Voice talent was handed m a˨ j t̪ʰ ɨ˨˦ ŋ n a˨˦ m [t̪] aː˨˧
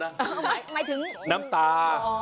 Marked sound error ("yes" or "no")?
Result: no